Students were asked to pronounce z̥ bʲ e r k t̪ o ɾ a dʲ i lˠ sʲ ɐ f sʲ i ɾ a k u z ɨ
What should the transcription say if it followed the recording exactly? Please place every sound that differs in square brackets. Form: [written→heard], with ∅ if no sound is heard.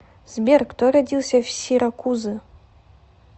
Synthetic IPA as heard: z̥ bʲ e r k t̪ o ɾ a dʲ i lˠ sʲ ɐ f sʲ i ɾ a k u z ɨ